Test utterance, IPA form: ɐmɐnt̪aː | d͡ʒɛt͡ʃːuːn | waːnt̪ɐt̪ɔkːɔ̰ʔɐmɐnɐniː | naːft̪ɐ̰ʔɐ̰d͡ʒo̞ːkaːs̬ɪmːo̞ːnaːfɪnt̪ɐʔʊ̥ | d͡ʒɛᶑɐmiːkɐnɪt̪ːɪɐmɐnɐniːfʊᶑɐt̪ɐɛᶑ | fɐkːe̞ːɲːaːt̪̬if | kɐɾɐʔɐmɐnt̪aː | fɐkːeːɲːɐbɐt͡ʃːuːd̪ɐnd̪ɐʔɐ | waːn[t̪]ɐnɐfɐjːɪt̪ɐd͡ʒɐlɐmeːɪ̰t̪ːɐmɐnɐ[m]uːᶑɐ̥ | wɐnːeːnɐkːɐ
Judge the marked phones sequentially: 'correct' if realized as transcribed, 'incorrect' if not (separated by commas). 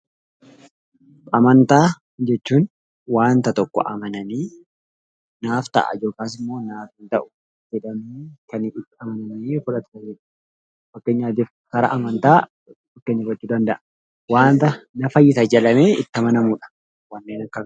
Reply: correct, correct